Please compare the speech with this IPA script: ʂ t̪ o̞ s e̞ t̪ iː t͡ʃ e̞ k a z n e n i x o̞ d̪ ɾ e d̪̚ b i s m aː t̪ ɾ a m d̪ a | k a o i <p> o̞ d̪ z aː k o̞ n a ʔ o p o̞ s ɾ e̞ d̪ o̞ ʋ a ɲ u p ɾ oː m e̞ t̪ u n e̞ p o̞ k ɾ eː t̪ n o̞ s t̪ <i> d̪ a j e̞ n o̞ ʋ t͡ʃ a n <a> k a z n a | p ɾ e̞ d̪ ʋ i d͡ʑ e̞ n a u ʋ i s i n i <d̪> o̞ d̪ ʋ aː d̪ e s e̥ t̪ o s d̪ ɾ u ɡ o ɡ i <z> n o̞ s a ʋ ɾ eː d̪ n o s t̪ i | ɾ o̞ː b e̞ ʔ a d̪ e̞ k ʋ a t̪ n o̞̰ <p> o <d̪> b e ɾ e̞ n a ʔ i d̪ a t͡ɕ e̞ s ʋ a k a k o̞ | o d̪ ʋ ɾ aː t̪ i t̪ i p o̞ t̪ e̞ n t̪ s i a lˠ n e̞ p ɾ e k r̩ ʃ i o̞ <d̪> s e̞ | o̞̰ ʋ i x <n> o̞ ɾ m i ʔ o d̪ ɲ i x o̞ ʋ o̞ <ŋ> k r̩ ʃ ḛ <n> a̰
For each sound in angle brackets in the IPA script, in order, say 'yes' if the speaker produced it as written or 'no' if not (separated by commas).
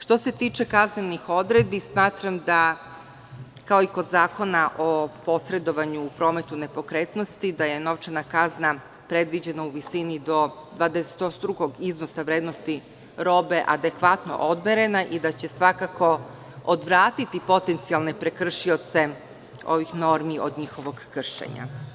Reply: no, yes, yes, yes, yes, no, yes, no, yes, no, no